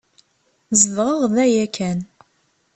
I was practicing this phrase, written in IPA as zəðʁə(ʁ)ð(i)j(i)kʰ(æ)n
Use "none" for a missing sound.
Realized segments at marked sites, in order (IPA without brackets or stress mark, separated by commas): ʁ, æ, æ, æ